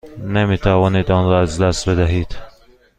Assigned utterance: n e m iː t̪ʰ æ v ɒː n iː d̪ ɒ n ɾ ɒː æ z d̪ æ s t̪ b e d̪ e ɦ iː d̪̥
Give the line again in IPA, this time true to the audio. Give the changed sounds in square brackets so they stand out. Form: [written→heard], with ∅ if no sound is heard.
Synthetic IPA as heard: n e m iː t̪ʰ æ v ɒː n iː d̪ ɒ n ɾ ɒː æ z d̪ æ s t̪ b e d̪ [e→æ] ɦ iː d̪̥

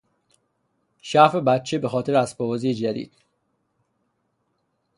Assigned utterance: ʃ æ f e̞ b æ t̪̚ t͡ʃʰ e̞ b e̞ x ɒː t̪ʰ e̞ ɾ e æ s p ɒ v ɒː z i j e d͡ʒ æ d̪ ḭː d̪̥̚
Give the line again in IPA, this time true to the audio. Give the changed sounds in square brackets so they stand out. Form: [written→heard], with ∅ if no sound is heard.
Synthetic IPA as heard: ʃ æ f e̞ b æ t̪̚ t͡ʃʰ e̞ b e̞ x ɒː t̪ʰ e̞ ɾ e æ s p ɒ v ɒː z i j e d͡ʒ æ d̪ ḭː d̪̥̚

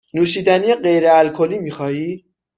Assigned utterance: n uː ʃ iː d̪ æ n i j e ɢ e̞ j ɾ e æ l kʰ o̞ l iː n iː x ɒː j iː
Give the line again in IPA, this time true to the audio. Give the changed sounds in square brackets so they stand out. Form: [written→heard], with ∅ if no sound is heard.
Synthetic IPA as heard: n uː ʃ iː d̪ æ n i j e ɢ e̞ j ɾ e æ l kʰ o̞ l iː [n→m] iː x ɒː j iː

